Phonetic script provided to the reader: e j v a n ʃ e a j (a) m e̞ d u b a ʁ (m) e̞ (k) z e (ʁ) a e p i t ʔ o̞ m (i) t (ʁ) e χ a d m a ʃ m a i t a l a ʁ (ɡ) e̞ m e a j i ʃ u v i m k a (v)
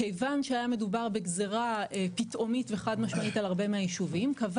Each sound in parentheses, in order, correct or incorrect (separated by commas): correct, incorrect, incorrect, correct, correct, incorrect, incorrect, correct